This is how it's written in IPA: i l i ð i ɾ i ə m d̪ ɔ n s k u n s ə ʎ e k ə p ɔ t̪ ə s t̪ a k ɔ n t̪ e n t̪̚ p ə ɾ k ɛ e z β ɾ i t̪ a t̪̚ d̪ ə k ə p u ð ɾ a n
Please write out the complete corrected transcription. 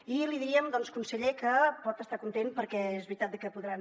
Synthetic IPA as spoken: i l i ð i ɾ i ə m d̪ ɔ n s k u n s ə ʎ e k ə p ɔ t̪ ə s t̪ a k u n t̪ e n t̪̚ p ə ɾ k ɛ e z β ɾ i t̪ a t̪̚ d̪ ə k ə p u ð ɾ a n

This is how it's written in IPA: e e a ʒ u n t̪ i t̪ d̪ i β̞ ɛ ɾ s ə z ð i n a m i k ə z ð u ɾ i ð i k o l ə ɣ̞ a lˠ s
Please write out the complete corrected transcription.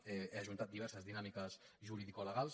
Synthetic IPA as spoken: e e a ʒ u n t̪ a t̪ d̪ i β̞ ɛ ɾ s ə z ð i n a m i k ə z ʒ u ɾ i ð i k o l ə ɣ̞ a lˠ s

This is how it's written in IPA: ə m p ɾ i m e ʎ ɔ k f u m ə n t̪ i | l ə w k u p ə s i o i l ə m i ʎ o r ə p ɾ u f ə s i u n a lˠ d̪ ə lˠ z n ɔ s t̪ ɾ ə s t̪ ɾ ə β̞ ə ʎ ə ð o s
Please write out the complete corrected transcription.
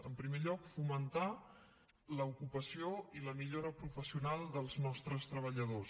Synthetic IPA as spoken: ə m p ɾ i m e ʎ ɔ k f u m ə n t̪ a | l ə u k u p ə s i o i l ə m i ʎ o ɾ ə p ɾ u f ə s i u n a lˠ d̪ ə lˠ z n ɔ s t̪ ɾ ə s t̪ ɾ ə β̞ ə ʎ ə ð o s

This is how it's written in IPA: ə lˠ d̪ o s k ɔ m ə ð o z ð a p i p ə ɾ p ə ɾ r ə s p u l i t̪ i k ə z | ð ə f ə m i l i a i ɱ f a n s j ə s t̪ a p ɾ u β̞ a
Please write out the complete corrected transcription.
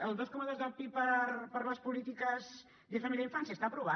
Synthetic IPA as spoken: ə lˠ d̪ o s k ɔ m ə ð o z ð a p i p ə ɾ p ə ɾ l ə s p u l i t̪ i k ə z | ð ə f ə m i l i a i ɱ f a n s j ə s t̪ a p ɾ u β̞ a

